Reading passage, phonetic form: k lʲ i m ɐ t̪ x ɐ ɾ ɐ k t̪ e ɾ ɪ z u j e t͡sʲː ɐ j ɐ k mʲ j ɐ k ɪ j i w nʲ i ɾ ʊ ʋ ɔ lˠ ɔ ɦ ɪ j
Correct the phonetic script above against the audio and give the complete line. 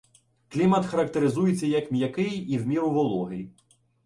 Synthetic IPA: k lʲ i m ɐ t̪ x ɐ ɾ ɐ k t̪ e ɾ ɪ z u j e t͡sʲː ɐ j ɐ k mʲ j ɐ k ɪ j i w mʲ i ɾ ʊ ʋ ɔ lˠ ɔ ɦ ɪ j